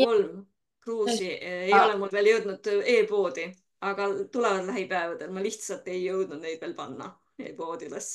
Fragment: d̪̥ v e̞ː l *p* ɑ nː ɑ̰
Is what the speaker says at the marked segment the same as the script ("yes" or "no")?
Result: yes